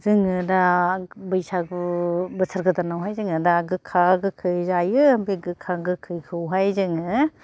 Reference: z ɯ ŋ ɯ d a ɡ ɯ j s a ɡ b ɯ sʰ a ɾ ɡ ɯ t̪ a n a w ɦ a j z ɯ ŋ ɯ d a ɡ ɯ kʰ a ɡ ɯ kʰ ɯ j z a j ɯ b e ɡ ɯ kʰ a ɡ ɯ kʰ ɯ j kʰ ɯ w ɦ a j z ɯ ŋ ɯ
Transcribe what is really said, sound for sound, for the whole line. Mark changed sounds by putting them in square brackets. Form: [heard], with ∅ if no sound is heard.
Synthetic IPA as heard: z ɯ ŋ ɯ d a [b] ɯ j s a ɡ b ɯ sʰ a ɾ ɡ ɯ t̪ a n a w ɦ a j z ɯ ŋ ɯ d a ɡ ɯ kʰ a ɡ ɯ kʰ ɯ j z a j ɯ b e ɡ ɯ kʰ a ɡ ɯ kʰ ɯ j kʰ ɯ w ɦ a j z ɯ ŋ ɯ